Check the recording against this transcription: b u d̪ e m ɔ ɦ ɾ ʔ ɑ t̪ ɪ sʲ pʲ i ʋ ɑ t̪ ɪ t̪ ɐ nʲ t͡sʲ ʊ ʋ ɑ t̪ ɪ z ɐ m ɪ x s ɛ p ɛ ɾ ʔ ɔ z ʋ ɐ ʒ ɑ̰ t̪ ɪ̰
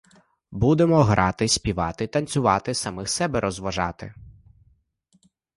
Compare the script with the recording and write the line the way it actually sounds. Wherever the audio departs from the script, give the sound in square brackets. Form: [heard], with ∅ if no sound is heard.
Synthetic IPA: b u d̪ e m ɔ ɦ ɾ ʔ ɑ t̪ ɪ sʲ pʲ i ʋ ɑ t̪ ɪ t̪ ɐ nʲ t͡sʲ ʊ ʋ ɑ t̪ ɪ [s] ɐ m ɪ x s ɛ [b] ɛ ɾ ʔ ɔ z ʋ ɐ ʒ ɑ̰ t̪ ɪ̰

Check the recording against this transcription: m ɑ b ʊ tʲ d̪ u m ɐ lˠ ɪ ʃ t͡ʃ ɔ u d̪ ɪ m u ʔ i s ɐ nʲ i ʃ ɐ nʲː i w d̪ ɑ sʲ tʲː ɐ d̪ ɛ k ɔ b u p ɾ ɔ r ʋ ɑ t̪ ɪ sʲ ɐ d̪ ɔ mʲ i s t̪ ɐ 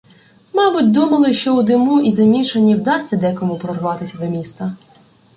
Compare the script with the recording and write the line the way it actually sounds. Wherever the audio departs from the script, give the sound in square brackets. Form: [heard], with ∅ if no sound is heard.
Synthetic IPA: m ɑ b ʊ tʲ d̪ u m ɐ lˠ ɪ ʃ t͡ʃ ɔ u d̪ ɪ m u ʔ i [z] ɐ [mʲ] i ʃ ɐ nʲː i w d̪ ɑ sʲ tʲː ɐ d̪ ɛ k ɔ [m] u p ɾ ɔ r ʋ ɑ t̪ ɪ sʲ ɐ d̪ ɔ mʲ i s t̪ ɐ

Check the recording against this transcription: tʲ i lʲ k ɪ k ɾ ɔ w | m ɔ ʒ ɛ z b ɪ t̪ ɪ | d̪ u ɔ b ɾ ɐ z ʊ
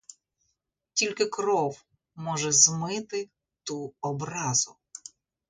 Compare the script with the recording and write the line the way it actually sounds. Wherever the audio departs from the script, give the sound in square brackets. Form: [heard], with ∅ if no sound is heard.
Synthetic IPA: tʲ i lʲ k ɪ k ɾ ɔ w | m ɔ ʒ ɛ z [m] ɪ t̪ ɪ | [t̪] u ɔ b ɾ [ɑ] z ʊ

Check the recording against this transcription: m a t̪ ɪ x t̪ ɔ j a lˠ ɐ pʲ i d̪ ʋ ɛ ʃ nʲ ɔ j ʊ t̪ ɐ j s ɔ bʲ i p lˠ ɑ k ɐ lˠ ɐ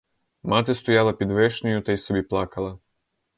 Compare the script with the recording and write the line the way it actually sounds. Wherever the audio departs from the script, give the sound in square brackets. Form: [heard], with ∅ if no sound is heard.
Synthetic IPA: m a t̪ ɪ [s] t̪ ɔ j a lˠ ɐ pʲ i d̪ ʋ ɛ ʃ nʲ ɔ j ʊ t̪ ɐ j s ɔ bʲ i p lˠ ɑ k ɐ lˠ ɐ

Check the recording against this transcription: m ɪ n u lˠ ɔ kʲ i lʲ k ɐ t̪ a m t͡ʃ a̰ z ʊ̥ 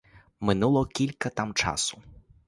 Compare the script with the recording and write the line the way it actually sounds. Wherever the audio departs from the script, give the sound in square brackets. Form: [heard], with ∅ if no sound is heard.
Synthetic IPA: m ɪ n u lˠ ɔ kʲ i lʲ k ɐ t̪ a m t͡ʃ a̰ [s] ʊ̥

